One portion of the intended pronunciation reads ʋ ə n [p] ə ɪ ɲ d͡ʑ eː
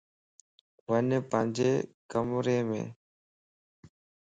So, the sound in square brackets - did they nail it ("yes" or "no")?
yes